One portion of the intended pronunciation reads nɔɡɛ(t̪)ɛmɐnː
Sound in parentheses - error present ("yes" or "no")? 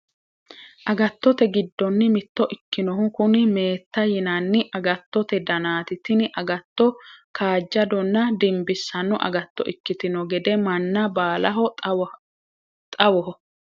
yes